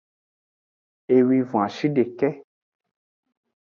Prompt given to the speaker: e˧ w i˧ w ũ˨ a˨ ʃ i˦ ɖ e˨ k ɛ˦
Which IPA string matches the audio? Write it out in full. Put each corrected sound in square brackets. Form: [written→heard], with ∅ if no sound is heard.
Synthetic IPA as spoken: e˧ w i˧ [w→v] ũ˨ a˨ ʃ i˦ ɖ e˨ k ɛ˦